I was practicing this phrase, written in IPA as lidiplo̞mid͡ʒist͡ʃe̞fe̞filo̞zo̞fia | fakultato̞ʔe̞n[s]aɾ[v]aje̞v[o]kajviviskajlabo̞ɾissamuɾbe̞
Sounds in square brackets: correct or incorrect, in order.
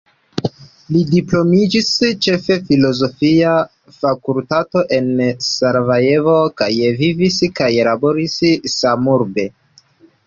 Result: correct, correct, correct

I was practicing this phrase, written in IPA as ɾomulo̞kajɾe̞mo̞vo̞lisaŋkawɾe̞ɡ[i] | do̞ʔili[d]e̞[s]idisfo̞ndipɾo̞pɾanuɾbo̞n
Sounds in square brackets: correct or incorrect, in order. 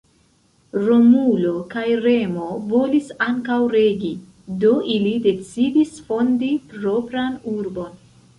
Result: correct, correct, incorrect: t͡s

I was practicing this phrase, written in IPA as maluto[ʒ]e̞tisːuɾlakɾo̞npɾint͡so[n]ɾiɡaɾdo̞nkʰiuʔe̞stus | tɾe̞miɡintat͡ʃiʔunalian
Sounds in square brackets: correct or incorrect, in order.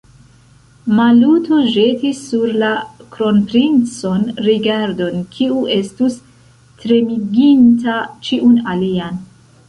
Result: correct, correct

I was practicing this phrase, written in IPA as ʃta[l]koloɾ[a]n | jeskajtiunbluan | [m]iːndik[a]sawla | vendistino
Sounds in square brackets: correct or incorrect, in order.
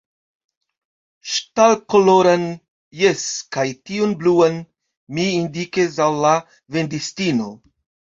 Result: correct, correct, correct, incorrect: e

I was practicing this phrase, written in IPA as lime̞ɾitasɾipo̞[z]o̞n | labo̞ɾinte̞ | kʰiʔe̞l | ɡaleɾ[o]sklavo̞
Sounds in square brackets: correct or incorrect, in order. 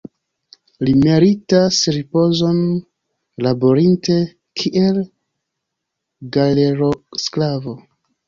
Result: correct, correct

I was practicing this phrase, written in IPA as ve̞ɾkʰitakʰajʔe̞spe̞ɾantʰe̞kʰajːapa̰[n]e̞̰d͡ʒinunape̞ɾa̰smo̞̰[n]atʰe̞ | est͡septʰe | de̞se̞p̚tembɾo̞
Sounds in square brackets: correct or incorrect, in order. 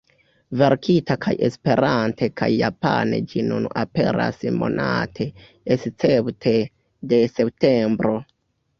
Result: correct, correct

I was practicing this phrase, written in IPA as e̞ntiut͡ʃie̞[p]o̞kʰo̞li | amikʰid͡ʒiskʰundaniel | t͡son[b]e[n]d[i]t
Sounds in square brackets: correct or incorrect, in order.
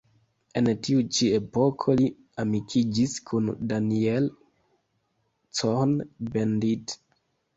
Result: correct, correct, correct, correct

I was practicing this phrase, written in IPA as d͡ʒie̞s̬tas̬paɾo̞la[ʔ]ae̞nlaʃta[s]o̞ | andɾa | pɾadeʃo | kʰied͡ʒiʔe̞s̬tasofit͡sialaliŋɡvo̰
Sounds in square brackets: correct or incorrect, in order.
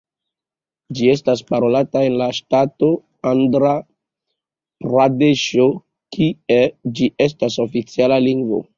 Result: incorrect: t, incorrect: t

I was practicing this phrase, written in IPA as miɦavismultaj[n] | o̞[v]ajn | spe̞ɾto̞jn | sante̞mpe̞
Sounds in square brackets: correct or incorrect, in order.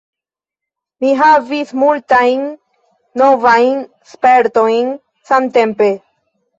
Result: incorrect: nː, correct

